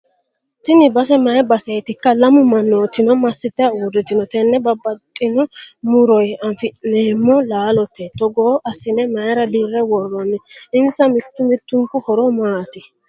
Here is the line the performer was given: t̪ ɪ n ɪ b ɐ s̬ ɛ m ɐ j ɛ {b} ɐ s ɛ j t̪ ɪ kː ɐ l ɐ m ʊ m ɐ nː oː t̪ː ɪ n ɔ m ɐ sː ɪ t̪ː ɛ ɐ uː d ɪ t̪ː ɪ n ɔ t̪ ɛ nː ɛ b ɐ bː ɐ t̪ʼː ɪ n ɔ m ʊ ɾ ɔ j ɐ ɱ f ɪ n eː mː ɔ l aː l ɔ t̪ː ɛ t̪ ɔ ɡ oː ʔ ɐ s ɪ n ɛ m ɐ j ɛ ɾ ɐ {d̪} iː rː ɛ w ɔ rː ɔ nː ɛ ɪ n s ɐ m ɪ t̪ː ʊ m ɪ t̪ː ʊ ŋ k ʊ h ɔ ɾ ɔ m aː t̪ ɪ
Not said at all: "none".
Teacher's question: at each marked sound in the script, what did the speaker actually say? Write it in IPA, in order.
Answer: b, d̪

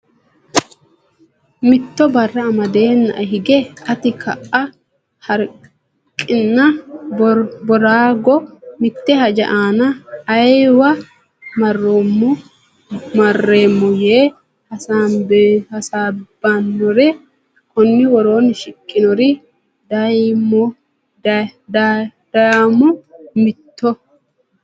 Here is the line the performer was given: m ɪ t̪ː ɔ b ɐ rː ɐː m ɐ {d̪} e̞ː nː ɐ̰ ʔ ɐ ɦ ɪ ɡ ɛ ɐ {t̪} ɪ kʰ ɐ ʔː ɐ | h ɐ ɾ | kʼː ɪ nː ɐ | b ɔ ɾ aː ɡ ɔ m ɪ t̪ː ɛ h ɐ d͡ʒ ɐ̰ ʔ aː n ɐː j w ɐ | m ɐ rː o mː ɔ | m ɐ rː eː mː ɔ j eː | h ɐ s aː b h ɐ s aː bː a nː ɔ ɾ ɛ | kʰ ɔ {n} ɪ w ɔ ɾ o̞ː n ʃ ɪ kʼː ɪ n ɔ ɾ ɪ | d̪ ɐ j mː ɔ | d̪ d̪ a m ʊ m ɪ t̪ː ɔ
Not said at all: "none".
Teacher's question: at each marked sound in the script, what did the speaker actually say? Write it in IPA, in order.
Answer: d̪, t̪, nː

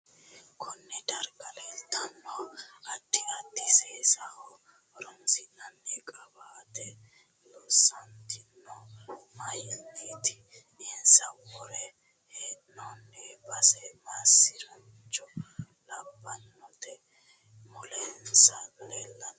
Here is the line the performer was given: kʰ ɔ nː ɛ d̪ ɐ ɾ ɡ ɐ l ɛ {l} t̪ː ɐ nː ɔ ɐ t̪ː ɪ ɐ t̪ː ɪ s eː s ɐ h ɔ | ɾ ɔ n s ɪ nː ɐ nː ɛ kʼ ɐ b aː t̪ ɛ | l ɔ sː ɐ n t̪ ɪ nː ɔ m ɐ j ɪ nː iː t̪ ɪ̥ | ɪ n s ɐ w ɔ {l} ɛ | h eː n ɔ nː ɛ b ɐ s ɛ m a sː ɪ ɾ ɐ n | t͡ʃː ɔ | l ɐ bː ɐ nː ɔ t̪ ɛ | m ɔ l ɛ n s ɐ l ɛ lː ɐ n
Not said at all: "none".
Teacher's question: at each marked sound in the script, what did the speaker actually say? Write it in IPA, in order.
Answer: l, ɾ

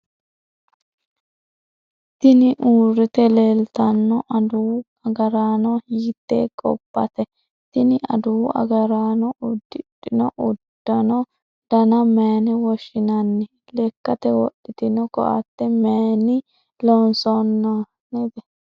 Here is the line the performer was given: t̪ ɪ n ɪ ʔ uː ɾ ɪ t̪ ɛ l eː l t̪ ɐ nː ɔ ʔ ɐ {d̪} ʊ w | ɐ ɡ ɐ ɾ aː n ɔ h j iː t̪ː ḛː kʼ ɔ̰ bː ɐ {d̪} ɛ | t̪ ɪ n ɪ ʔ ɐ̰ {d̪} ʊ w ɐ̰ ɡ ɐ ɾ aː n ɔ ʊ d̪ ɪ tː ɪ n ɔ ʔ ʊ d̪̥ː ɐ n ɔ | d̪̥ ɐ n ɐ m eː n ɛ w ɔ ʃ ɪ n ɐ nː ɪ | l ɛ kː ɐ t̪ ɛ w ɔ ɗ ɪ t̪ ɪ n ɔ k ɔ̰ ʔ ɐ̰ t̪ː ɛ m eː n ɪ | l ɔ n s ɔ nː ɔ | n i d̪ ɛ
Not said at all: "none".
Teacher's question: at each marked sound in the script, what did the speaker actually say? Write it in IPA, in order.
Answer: d̪, t̪, d̪

